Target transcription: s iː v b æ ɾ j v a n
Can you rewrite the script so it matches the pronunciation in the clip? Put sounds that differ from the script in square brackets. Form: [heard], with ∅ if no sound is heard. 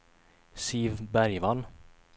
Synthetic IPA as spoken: s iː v b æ ɾ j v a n